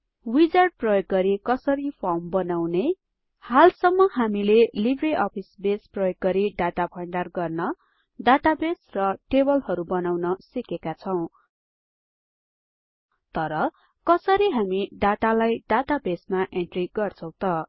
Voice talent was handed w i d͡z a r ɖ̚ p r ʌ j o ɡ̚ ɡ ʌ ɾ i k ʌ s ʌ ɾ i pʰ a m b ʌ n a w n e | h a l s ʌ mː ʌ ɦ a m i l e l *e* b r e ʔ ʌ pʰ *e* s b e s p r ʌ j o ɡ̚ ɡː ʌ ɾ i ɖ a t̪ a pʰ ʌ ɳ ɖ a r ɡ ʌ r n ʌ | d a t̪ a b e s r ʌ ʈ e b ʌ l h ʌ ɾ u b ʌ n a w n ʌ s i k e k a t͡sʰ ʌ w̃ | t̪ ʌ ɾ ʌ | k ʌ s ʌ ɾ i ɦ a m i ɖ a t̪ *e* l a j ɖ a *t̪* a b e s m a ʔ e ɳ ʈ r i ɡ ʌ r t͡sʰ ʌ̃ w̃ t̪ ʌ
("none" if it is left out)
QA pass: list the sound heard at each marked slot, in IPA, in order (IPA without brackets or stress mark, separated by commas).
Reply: i, i, a, t̪